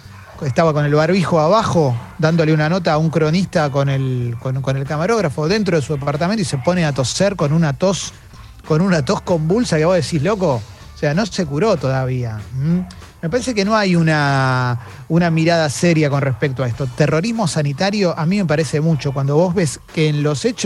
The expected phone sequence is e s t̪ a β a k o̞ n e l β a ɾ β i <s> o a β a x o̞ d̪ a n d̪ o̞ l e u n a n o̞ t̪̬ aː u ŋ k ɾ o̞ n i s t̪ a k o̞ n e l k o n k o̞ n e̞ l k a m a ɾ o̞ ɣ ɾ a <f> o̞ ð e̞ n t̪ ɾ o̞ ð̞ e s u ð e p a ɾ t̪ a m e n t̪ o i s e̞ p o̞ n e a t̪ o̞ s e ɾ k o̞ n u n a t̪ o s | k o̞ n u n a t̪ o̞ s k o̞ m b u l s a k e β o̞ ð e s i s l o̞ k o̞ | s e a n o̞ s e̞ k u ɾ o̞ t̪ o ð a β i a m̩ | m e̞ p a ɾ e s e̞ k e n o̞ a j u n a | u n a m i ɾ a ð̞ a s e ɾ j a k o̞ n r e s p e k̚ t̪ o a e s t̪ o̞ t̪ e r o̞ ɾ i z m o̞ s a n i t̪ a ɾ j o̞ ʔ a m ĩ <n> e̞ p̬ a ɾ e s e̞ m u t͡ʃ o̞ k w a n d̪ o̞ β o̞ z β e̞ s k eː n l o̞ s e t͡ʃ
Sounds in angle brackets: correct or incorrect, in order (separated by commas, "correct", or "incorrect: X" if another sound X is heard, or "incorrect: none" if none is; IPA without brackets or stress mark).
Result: incorrect: x, correct, incorrect: m